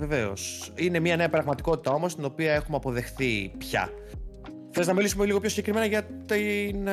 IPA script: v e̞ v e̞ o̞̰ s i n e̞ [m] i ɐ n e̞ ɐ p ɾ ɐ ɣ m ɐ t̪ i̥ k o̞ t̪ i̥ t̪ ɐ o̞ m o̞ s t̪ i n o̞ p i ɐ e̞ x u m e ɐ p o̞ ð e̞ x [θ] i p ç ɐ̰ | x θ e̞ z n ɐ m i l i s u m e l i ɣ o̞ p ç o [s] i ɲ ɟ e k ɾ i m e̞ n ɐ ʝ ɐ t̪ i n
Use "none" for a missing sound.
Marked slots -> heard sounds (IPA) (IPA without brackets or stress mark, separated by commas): m, θ, s